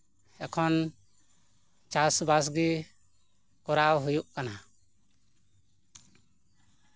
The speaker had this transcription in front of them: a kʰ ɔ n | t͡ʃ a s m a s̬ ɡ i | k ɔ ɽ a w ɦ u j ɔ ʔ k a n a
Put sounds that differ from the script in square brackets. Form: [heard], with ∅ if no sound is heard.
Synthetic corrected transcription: [ɛ] kʰ ɔ n | t͡ʃ a s [b] a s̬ ɡ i | k ɔ [ɾ] a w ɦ u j [u] ʔ k a n a